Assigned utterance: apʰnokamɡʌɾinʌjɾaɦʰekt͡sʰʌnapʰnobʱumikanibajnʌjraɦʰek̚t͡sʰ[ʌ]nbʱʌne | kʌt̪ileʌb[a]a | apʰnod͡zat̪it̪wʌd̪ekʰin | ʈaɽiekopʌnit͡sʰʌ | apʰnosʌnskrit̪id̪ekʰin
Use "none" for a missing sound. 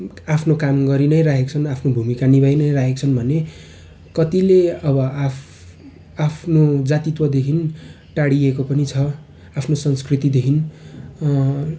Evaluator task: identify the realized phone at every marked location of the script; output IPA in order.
ʌ, ʌ

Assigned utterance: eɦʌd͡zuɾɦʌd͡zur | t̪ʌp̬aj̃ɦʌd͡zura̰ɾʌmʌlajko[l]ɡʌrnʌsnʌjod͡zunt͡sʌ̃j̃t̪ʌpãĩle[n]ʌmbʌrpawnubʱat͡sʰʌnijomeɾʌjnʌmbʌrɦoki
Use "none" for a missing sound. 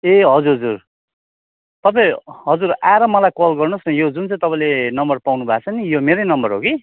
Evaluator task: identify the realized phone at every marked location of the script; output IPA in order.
l, n

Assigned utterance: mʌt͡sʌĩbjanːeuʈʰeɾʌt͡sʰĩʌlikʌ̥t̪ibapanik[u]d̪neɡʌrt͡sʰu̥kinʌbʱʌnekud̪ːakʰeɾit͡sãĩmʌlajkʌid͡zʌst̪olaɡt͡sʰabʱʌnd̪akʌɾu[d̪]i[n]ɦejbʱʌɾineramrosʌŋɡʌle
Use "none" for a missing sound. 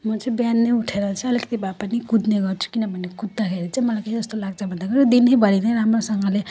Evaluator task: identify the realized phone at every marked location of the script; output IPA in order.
u, d̪, n

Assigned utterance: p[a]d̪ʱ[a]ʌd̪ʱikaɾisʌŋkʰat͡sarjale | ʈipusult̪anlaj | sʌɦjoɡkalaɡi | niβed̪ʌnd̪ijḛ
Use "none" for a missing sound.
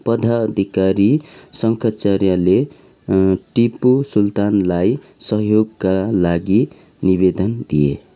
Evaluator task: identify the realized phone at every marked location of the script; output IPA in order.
ʌ, a

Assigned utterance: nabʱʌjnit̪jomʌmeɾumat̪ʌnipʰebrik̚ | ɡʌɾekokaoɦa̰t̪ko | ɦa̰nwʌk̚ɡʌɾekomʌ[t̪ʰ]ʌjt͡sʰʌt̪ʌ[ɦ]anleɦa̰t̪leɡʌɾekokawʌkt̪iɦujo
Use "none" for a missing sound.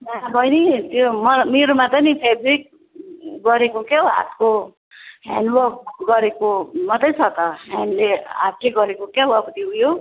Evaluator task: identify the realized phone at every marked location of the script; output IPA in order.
t̪, ɦ

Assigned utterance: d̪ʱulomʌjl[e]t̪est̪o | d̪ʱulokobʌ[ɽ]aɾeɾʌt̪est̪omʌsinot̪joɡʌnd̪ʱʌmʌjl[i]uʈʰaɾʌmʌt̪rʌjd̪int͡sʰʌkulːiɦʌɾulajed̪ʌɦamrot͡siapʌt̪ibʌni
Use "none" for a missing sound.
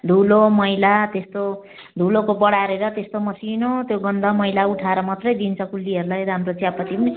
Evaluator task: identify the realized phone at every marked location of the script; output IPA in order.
a, ɽ, a

